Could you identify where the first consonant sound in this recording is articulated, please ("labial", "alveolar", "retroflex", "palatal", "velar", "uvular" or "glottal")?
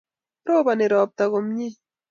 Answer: labial